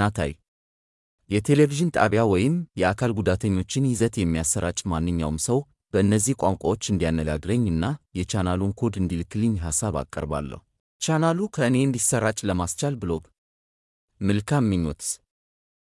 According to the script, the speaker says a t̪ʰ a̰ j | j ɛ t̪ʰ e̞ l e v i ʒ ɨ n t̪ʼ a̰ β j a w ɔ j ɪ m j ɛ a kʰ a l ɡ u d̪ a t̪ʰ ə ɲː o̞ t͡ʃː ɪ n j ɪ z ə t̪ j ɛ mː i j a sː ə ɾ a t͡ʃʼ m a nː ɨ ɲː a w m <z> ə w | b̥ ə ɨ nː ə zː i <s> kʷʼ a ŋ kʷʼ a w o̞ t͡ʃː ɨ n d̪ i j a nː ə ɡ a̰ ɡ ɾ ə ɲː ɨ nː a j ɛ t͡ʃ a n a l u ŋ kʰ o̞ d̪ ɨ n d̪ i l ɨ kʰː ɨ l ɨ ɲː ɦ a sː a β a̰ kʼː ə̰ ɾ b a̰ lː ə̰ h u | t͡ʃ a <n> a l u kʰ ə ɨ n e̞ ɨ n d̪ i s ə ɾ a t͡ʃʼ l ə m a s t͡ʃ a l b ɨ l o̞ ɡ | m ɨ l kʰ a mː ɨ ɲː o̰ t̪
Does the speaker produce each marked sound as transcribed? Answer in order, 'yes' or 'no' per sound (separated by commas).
no, no, yes